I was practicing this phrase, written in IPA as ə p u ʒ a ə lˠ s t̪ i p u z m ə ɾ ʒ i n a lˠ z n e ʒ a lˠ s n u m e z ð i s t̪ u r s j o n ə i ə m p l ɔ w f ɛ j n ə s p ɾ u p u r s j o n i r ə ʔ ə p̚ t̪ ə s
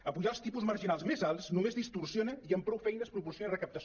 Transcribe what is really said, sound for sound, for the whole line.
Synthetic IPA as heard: ə p u ʒ a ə lˠ s t̪ i p u z m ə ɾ ʒ i n a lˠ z m e z a lˠ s n u m e z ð i s t̪ u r s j o n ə i ə m p ɾ ɔ w f ɛ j n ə s p ɾ u p u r s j o n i r ə k ə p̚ t̪ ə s